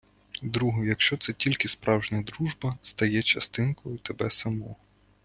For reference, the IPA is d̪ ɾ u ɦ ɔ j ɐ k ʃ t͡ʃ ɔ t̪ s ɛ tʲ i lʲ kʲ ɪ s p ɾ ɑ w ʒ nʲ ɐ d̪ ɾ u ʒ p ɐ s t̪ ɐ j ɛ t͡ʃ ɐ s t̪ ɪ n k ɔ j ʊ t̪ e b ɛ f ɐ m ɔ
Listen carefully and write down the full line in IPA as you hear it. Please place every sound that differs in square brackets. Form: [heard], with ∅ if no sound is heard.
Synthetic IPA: d̪ ɾ u ɦ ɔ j ɐ k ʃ t͡ʃ ɔ t̪ s ɛ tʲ i lʲ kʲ ɪ s p ɾ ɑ w ʒ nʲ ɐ d̪ ɾ u ʒ [b] ɐ s t̪ ɐ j ɛ t͡ʃ ɐ s t̪ ɪ n k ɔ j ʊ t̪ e b ɛ [s] ɐ m ɔ